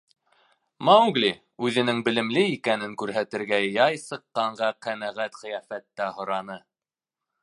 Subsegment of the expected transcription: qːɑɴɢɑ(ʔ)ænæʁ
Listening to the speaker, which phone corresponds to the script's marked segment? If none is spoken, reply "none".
q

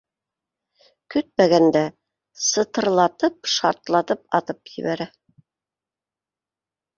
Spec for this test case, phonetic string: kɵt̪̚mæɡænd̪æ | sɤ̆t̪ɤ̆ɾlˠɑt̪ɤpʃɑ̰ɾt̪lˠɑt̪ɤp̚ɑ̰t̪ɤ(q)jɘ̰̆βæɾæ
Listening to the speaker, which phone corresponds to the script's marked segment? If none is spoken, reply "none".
p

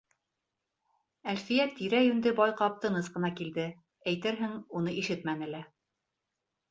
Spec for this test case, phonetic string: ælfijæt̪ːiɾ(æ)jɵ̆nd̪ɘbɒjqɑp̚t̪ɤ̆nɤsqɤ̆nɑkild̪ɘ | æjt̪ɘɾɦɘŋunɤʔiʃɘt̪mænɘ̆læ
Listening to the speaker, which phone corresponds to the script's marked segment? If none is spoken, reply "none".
æ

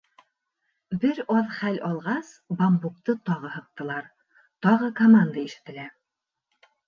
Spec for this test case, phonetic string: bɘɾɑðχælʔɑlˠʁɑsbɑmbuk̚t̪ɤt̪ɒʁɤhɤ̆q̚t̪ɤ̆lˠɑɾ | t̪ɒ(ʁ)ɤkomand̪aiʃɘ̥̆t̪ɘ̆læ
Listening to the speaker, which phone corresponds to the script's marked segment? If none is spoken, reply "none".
ʁ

